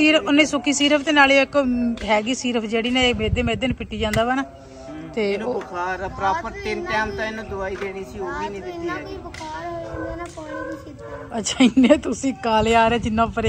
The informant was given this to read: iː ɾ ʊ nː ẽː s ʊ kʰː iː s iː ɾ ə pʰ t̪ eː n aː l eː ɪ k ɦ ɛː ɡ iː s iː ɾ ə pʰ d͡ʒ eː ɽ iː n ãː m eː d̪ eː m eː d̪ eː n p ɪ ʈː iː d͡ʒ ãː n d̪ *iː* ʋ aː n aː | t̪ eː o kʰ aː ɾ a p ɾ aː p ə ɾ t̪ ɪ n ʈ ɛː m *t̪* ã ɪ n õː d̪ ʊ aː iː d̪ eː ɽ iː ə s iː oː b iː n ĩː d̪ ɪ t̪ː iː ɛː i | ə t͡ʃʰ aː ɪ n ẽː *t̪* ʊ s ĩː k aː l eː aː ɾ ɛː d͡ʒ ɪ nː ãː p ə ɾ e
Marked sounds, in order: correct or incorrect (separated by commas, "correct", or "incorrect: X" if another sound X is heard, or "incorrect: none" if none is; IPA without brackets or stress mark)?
incorrect: aː, correct, correct